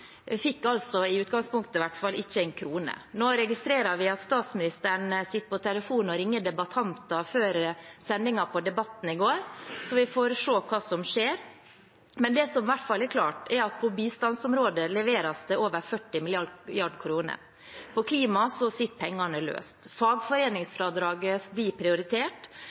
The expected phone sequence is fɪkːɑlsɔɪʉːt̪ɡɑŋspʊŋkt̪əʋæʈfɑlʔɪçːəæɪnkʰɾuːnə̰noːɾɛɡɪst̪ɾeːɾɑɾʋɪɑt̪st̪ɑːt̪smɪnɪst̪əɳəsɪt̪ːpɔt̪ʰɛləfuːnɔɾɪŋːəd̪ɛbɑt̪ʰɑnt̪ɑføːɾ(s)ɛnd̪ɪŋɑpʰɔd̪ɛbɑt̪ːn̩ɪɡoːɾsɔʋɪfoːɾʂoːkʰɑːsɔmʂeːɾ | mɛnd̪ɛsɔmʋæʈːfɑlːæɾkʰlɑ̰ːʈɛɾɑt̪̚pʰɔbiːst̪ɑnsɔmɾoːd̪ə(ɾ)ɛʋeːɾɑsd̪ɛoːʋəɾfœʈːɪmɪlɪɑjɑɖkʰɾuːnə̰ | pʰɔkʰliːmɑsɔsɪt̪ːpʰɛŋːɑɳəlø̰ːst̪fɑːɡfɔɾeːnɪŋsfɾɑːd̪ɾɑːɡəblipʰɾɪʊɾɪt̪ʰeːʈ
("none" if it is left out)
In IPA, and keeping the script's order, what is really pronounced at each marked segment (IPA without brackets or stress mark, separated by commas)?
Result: s, l